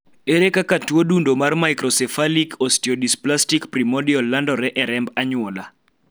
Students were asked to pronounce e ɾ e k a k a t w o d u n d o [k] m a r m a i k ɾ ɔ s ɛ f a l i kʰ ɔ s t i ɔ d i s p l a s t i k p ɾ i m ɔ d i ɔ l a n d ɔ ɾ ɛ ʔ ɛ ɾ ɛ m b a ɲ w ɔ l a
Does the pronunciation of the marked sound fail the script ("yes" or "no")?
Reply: yes